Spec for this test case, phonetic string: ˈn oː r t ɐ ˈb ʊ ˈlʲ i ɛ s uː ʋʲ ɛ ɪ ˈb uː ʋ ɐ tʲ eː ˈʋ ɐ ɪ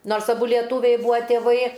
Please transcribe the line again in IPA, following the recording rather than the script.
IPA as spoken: ˈn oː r s ɐ ˈb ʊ ˈlʲ i ɛ t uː ʋʲ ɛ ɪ ˈb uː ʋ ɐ tʲ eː ˈʋ ɐ ɪ